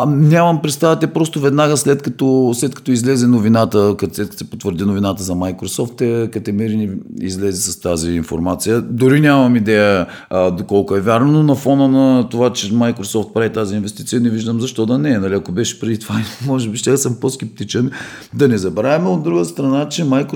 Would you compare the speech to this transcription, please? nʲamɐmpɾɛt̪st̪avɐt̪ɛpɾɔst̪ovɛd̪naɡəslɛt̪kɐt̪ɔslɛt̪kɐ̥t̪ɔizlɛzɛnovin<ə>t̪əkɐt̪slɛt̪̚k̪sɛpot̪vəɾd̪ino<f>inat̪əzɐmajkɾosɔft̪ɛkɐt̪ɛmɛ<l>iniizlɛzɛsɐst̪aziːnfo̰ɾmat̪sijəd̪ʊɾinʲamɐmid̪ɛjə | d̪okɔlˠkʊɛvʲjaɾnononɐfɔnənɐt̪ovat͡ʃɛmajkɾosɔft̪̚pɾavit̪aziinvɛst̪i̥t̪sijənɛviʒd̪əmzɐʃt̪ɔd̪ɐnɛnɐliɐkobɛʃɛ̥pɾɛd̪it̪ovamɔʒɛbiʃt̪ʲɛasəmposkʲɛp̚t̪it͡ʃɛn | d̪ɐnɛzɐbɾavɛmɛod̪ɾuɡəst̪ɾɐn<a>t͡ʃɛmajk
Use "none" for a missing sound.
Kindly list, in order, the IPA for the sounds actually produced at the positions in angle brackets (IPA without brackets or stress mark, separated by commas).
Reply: a, v, ɾ, a